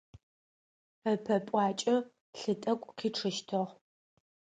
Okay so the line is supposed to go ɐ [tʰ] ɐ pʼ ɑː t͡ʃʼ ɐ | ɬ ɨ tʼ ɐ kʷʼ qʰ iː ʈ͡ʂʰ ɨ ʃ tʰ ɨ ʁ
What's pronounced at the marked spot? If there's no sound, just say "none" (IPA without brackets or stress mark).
pʰ